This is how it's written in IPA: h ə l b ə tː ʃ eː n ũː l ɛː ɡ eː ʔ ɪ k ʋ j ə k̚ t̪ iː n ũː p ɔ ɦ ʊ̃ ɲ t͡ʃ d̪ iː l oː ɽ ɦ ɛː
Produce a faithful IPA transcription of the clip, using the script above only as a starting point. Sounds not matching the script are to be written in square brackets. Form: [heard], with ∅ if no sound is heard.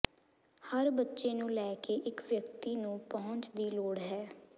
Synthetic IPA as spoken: h ə [ɾ] b ə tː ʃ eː n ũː l ɛː [k] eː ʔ ɪ k ʋ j ə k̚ t̪ iː n ũː p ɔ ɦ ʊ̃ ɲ t͡ʃ d̪ iː l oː ɽ ɦ ɛː